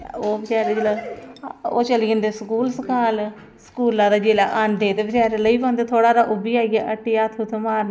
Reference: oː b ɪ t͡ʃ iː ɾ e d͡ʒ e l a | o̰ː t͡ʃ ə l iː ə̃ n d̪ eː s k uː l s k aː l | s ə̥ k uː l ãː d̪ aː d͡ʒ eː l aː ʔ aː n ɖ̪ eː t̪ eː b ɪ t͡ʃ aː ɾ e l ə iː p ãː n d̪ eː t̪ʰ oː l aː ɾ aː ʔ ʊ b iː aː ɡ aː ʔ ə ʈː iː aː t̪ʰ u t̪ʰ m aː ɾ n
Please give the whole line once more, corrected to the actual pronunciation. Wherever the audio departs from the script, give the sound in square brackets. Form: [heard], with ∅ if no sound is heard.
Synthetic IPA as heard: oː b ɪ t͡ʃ [aː] ɾ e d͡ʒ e l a | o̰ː t͡ʃ ə l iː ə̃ n d̪ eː s k uː l s k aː l | s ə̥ k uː l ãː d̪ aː d͡ʒ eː l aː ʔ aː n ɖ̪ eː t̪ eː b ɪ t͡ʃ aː ɾ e l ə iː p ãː n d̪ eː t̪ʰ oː [ɽ] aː ɾ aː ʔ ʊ b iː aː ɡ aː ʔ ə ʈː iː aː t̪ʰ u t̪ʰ m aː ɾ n